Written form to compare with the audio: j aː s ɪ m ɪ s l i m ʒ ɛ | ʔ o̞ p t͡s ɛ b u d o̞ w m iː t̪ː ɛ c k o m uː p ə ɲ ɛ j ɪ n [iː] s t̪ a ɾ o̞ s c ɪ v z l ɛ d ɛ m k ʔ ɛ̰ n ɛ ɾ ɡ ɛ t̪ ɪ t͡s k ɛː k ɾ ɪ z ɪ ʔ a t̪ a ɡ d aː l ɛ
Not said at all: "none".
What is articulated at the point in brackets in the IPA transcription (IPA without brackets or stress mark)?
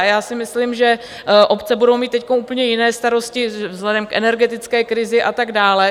ɛː